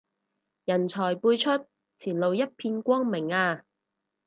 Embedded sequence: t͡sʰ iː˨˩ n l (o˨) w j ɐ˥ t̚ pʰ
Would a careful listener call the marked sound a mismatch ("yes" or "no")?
no